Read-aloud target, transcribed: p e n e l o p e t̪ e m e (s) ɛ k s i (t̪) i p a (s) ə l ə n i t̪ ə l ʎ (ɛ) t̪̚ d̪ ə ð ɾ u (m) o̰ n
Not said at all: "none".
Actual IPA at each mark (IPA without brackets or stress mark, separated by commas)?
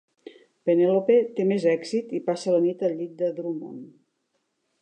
z, t̪, s, i, m